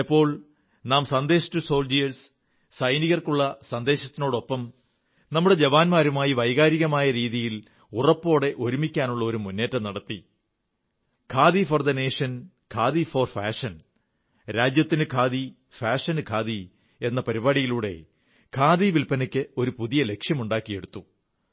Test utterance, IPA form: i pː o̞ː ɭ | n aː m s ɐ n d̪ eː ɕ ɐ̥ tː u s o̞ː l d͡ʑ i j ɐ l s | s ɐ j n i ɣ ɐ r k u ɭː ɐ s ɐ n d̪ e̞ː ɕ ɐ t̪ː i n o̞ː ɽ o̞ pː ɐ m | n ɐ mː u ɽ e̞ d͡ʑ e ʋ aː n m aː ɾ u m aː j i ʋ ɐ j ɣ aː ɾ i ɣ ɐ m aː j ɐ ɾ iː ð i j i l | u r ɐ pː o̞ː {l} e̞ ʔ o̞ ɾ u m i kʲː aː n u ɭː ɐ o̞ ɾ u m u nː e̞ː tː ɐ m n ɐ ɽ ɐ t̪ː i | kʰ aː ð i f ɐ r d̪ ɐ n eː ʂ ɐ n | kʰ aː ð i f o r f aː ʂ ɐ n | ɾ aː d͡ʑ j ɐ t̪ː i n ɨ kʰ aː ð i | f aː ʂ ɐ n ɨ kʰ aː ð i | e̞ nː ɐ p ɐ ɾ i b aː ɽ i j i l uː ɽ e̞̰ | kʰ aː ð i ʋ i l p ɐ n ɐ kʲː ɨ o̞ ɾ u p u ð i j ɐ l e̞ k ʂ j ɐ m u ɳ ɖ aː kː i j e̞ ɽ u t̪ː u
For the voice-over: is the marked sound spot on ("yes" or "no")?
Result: no